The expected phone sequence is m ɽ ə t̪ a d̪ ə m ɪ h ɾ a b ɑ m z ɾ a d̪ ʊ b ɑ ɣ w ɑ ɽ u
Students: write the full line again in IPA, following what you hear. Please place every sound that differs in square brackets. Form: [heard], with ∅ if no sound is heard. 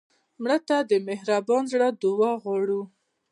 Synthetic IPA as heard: m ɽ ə t̪ a d̪ ə m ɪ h ɾ a b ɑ [n] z [ɽ] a d̪ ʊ [w] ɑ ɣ w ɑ ɽ u